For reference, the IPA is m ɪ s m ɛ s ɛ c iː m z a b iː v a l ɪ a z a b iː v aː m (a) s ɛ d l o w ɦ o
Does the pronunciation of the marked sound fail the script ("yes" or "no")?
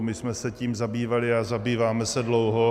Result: yes